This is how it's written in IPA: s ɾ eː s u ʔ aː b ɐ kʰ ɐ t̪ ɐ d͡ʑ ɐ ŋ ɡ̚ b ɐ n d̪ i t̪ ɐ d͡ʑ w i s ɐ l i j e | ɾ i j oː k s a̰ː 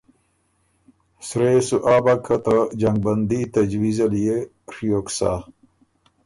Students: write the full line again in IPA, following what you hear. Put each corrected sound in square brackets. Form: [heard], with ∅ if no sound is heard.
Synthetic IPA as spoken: s ɾ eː s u ʔ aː b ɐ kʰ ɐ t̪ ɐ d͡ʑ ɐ ŋ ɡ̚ b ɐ n d̪ i t̪ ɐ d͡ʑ w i [z] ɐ l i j e | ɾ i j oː k s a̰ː